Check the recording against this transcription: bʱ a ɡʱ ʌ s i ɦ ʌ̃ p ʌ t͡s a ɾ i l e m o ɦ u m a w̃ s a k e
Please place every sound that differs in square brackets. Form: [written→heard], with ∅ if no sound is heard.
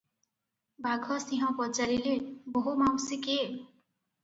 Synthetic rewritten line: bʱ a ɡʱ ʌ s i ɦ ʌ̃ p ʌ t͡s a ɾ i l e [m→b] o ɦ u m a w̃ s [a→i] k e